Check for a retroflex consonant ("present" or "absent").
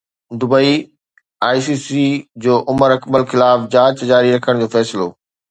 present